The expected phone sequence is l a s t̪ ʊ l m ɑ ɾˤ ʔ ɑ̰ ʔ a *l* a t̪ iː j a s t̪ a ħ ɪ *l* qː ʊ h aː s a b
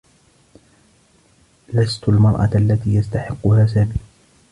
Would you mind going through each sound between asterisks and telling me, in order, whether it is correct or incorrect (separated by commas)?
incorrect, incorrect